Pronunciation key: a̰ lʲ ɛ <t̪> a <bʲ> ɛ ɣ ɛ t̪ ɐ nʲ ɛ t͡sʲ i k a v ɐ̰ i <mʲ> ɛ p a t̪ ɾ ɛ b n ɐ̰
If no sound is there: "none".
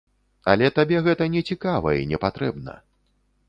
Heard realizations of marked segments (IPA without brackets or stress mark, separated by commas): t̪, bʲ, nʲ